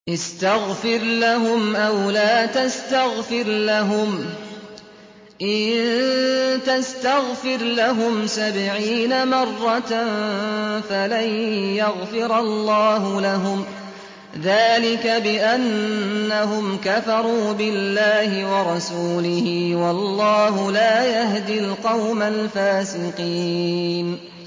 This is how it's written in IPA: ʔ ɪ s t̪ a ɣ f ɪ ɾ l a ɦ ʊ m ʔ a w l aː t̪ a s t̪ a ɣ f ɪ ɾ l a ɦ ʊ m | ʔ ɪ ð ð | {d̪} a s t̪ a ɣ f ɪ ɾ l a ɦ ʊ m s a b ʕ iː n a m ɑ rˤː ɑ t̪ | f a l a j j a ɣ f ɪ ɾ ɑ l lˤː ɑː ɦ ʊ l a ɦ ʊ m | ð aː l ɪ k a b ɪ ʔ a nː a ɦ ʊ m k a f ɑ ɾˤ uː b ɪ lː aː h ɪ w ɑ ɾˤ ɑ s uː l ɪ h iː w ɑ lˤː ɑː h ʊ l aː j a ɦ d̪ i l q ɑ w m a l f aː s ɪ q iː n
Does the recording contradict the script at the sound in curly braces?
yes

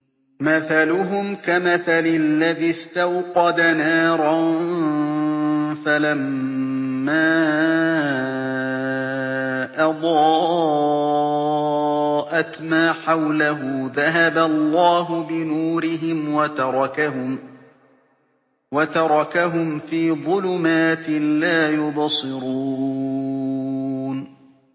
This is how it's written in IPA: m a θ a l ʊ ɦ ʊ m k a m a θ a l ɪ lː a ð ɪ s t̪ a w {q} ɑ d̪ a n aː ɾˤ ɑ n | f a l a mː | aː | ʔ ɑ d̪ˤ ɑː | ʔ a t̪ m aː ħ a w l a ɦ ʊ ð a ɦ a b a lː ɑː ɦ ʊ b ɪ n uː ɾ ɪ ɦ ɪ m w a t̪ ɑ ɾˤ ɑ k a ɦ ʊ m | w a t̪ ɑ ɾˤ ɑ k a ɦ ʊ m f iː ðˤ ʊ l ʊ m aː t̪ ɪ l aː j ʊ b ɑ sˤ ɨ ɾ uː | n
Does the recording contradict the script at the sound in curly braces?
no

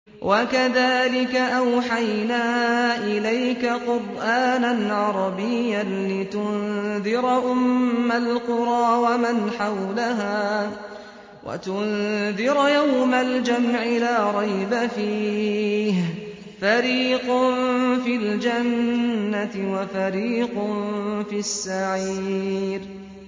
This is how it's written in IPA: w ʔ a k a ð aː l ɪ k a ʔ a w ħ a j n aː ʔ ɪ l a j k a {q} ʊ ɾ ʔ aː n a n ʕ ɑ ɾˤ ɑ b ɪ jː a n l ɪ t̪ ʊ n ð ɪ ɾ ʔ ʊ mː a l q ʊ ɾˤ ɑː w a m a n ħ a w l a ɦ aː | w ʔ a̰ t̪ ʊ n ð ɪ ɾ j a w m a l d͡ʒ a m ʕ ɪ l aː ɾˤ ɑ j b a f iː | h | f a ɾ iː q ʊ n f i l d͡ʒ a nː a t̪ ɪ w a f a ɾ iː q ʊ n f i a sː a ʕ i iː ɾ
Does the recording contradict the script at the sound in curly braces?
no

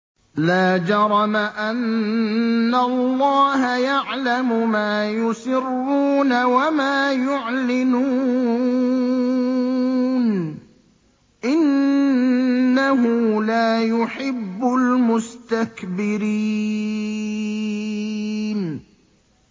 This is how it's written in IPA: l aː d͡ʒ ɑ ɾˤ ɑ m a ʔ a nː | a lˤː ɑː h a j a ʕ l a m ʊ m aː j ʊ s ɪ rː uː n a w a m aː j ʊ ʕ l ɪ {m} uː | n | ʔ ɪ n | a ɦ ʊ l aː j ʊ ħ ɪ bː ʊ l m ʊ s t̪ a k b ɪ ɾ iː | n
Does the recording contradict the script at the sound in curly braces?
yes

